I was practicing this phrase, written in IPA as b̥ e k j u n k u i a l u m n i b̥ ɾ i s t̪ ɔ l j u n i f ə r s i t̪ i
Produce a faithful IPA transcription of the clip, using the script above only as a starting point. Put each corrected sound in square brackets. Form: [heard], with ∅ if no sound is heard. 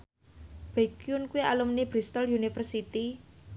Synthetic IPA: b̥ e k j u n k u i a l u m n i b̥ ɾ i s t̪ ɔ l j u n i f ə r s i t̪ i